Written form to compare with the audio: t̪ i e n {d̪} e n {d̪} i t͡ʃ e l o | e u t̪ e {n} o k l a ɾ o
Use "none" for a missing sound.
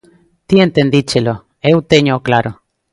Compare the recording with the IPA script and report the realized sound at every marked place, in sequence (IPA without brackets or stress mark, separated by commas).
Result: t̪, d̪, ɲ